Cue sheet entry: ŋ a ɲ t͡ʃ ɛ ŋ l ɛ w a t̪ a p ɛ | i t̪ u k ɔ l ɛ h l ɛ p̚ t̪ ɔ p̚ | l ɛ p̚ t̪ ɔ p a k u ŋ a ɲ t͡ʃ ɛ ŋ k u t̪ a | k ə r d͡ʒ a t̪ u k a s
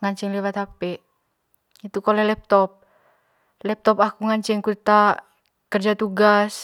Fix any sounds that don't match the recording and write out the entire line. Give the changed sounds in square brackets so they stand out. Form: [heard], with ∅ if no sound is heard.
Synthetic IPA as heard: ŋ a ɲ t͡ʃ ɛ ŋ l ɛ w a t̪ a p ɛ | i t̪ u k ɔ l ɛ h l ɛ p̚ t̪ ɔ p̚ | l ɛ p̚ t̪ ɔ p a k u ŋ a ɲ t͡ʃ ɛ ŋ k u t̪ a | k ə r d͡ʒ a t̪ u [ɡ] a s